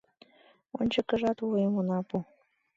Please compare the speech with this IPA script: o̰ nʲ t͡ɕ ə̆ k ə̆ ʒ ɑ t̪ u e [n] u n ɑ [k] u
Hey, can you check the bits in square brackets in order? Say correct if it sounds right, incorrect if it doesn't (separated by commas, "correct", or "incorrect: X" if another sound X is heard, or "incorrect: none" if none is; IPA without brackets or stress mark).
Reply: incorrect: m, incorrect: p